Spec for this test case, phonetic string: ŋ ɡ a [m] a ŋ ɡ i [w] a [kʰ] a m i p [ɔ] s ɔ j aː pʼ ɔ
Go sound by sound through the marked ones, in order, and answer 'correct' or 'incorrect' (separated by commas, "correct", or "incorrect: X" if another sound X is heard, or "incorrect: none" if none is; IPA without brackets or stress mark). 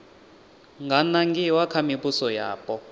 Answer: incorrect: n, correct, correct, incorrect: u